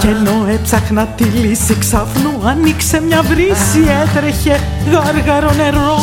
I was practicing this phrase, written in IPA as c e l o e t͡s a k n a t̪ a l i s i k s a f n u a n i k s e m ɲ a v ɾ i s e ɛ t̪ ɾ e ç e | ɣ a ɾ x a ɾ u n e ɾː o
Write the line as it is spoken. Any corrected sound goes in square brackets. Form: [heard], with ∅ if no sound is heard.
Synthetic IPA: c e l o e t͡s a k n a t̪ [i] l i s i k s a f n u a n i k s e m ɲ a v ɾ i s [i] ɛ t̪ ɾ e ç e | ɣ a ɾ [ɣ] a ɾ [o] n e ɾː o